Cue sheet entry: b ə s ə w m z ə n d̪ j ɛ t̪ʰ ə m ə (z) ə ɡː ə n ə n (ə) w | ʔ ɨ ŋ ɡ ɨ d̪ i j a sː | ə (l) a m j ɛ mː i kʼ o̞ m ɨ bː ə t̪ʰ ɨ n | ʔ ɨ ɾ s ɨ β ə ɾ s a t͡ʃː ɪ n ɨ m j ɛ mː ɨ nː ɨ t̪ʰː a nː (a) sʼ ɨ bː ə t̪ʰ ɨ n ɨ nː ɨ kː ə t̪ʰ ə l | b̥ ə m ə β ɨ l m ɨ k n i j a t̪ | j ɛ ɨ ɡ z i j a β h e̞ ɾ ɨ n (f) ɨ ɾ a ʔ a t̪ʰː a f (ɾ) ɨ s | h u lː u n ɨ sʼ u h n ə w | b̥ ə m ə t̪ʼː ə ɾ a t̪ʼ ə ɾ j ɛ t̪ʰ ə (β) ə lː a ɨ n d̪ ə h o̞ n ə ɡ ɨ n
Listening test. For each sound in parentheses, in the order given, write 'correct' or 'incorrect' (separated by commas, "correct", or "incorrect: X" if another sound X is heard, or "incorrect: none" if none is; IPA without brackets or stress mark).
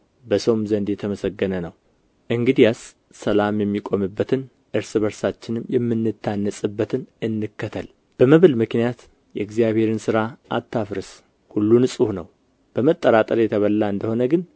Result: incorrect: s, correct, correct, incorrect: ə, incorrect: s, correct, correct